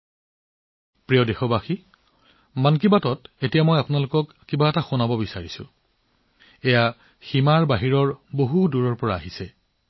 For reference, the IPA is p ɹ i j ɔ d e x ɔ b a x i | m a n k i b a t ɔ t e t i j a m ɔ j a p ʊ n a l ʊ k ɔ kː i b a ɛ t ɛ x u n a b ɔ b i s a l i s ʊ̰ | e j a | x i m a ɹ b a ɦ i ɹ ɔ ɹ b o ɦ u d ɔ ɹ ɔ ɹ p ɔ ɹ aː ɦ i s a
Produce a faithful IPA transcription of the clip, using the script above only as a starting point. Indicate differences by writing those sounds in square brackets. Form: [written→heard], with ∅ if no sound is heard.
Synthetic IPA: p ɹ i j ɔ d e x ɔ b a x i | m a n k i b a t ɔ t e t i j a m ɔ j a p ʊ n a l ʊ k ɔ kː i b a ɛ t [ɛ→a] x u n a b ɔ b i s a [l→ɹ] i s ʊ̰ | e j a | x i m a ɹ b a ɦ i ɹ ɔ ɹ b o ɦ u d [ɔ→u] ɹ ɔ ɹ p ɔ ɹ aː ɦ i s [a→ɛ]

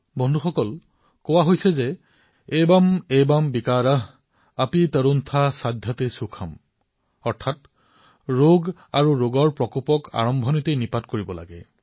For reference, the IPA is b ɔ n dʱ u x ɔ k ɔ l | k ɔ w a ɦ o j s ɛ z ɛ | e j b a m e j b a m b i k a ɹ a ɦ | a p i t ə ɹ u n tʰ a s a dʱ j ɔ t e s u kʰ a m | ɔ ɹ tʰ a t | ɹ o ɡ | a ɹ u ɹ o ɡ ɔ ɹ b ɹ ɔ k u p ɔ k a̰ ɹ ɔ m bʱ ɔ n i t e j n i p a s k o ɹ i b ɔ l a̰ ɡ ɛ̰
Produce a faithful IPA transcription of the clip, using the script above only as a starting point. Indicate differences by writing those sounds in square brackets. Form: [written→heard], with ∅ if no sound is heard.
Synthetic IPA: b ɔ n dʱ u x ɔ k ɔ l | k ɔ w a ɦ o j s ɛ z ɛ | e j b a m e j b a m b i k a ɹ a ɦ | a p i t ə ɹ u n tʰ a s a dʱ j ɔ t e s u kʰ a m | ɔ ɹ tʰ a t | ɹ o ɡ | a ɹ u ɹ o ɡ ɔ ɹ [b→p] ɹ ɔ k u p ɔ k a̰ ɹ ɔ m bʱ ɔ n i t e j n i p a [s→t] k o ɹ i b ɔ l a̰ ɡ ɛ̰

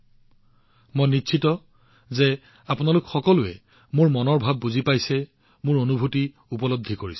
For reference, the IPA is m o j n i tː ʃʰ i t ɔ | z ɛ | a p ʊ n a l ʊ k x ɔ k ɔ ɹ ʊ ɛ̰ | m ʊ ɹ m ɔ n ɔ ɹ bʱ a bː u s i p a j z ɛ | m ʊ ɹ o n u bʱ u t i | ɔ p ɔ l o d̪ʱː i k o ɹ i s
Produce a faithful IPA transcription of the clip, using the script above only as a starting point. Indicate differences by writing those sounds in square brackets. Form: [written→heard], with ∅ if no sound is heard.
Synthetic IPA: m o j n i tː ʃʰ i t ɔ | z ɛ | a p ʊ n a l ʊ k x ɔ k ɔ [ɹ→l] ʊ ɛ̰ | m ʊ ɹ m ɔ n ɔ ɹ bʱ a bː u [s→z] i p a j [z→s] ɛ | m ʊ ɹ o n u bʱ u t i | [ɔ→u] p ɔ l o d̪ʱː i k o ɹ i s

